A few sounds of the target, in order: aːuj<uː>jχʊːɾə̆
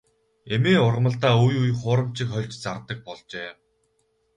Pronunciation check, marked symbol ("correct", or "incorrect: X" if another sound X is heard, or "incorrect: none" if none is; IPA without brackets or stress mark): incorrect: u